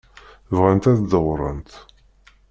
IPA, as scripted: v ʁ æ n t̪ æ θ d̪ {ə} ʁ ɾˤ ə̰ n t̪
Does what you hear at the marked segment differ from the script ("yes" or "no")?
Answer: no